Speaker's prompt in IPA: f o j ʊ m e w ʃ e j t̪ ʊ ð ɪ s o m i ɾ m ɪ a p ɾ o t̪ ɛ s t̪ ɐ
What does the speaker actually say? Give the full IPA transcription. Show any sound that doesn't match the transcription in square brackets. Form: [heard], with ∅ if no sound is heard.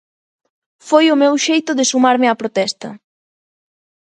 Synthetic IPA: f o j ʊ m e w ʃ e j t̪ ʊ ð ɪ s [u] m [a] ɾ m ɪ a p ɾ o t̪ ɛ s t̪ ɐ